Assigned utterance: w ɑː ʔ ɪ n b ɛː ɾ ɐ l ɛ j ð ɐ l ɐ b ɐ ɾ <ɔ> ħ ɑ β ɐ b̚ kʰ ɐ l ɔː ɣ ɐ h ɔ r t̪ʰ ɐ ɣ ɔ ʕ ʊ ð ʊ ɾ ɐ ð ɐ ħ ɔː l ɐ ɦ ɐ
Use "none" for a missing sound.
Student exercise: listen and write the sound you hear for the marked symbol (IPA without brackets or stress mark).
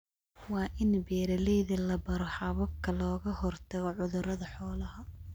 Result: ɔ